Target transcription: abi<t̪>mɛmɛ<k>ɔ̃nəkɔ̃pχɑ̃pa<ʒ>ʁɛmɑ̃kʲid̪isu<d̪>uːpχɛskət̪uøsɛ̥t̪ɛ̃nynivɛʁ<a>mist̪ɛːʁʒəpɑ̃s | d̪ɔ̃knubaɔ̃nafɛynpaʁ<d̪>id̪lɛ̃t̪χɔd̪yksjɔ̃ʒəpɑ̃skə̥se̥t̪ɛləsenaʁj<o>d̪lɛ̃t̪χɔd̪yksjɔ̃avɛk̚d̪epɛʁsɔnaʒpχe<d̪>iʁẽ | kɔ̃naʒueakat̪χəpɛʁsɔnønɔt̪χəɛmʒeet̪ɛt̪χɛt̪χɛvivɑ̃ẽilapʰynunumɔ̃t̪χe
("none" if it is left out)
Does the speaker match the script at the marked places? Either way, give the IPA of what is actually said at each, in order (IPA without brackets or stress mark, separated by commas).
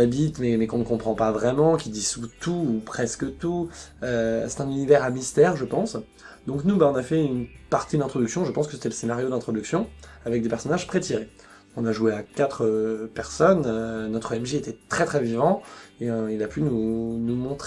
t̪, k, v, t̪, a, t̪, o, t̪